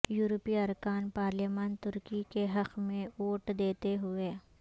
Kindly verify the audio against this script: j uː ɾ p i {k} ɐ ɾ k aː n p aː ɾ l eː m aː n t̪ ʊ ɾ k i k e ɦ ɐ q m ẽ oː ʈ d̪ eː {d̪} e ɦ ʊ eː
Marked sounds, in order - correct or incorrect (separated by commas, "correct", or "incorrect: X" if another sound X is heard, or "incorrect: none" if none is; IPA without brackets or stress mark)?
incorrect: none, incorrect: t̪